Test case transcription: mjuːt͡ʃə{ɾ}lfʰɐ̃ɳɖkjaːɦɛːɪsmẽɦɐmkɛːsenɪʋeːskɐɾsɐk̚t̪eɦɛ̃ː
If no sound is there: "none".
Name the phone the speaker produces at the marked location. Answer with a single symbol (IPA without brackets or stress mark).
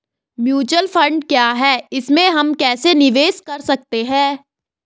none